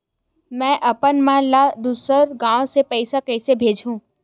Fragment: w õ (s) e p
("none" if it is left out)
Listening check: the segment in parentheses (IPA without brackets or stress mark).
s